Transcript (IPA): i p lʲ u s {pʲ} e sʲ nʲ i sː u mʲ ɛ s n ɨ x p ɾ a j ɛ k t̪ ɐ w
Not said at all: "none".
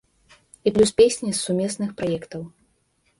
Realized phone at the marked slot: pʲ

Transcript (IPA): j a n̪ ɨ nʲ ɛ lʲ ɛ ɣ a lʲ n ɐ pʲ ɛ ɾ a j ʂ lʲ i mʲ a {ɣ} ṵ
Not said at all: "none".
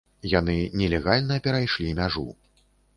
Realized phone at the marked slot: ʐ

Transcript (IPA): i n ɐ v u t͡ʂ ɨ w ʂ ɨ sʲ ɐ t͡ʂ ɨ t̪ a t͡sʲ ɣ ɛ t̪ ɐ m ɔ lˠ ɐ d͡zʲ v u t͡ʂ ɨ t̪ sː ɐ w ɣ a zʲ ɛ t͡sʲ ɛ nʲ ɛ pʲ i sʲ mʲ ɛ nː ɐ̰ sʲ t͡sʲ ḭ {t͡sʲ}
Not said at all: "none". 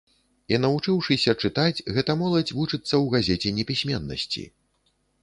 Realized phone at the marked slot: none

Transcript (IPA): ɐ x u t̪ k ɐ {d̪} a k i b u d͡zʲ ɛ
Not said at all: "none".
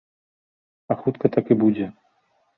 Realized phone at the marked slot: t̪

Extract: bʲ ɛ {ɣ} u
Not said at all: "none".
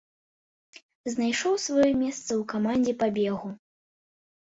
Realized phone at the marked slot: ɣ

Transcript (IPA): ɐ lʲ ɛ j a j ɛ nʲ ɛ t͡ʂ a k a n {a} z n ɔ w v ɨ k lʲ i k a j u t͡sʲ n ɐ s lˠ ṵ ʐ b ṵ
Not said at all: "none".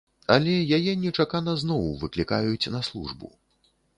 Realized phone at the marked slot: ɐ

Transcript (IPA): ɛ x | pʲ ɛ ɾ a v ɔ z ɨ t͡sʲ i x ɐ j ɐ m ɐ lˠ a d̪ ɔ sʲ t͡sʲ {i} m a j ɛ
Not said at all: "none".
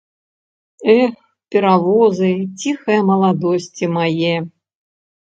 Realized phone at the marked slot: i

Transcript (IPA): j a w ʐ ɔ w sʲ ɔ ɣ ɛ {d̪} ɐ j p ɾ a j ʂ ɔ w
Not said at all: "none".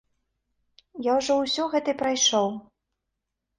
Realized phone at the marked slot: t̪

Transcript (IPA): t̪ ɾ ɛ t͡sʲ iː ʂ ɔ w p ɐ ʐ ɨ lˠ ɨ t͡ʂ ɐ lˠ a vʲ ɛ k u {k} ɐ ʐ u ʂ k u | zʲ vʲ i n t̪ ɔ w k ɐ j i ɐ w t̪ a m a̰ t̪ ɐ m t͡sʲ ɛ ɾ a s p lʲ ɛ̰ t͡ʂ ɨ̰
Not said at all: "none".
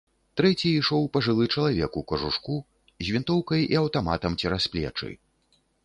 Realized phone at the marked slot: k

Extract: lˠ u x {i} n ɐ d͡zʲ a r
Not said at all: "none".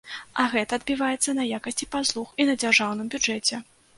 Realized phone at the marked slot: i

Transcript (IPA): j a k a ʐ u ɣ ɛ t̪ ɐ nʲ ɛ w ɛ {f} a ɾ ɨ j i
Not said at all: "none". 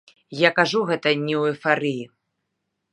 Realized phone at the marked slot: f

